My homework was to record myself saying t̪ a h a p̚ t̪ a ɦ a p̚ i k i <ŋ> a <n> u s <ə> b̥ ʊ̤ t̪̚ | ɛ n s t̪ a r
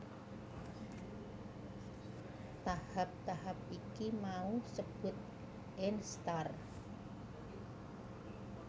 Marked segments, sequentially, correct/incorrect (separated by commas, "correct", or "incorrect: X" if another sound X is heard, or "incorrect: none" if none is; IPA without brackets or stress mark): incorrect: m, incorrect: none, correct